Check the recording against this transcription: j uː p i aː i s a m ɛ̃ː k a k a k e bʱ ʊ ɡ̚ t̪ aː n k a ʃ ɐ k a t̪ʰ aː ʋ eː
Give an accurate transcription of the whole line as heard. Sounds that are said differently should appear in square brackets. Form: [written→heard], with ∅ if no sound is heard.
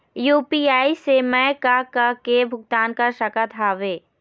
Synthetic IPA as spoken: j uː p i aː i s [a→e] m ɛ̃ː k a k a k e bʱ ʊ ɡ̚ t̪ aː n k a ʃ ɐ k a t̪ʰ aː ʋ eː